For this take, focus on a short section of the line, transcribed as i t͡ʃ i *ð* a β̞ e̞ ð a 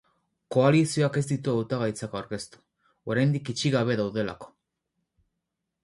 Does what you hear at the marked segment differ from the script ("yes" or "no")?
yes